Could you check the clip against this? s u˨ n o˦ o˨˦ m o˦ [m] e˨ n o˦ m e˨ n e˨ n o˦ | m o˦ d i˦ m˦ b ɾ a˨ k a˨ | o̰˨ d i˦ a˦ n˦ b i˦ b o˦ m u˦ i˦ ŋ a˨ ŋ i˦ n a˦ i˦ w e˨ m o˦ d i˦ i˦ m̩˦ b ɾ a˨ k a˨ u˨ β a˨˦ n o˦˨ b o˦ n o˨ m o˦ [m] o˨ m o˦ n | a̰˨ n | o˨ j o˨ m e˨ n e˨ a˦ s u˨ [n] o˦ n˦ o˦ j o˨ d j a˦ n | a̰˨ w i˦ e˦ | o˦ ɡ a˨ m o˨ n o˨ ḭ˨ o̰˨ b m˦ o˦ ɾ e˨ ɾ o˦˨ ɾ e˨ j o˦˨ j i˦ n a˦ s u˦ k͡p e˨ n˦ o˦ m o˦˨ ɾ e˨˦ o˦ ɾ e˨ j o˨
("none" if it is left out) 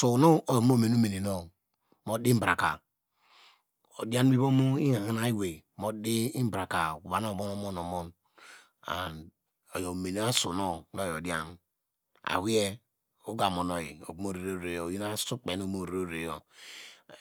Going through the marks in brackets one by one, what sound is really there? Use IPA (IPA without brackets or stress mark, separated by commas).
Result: m, n, n